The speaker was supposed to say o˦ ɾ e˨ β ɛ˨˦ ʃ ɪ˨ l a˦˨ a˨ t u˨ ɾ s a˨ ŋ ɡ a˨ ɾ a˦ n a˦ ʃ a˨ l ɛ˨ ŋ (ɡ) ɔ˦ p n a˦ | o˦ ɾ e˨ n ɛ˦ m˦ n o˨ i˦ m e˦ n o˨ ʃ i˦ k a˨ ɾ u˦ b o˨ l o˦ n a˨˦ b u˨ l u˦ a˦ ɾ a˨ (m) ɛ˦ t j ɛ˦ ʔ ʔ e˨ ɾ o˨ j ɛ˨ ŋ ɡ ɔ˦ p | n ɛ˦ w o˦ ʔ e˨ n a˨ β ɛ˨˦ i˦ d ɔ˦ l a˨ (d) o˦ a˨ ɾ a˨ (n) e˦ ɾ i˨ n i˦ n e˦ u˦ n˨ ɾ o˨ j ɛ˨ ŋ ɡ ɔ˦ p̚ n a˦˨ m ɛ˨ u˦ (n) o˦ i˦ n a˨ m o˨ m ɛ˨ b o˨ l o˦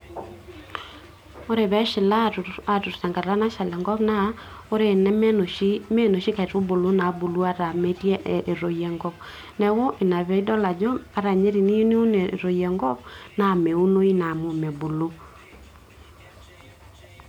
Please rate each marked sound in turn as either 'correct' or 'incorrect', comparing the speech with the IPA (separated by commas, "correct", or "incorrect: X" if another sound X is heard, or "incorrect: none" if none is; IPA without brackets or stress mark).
correct, correct, incorrect: d͡ʒ, incorrect: ɲ, correct